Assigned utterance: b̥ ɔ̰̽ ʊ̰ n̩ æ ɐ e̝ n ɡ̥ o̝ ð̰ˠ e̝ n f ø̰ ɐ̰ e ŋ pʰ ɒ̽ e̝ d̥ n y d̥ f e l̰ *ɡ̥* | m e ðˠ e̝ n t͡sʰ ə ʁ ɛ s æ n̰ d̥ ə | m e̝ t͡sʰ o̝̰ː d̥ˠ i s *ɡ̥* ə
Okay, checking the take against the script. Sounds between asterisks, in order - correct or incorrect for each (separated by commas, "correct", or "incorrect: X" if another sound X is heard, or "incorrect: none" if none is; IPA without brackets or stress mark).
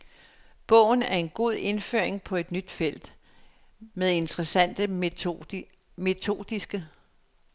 incorrect: d̥, correct